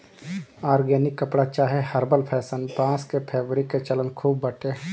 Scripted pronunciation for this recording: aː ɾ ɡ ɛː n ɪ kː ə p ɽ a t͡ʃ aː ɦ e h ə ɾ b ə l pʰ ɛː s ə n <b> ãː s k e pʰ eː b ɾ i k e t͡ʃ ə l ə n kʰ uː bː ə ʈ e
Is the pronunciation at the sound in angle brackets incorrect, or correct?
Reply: incorrect